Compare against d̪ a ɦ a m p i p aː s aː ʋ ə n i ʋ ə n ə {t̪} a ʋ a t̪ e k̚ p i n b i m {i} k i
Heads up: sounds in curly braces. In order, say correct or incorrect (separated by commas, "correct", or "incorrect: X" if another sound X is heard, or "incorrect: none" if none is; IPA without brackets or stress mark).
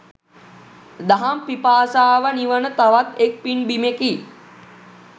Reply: correct, incorrect: e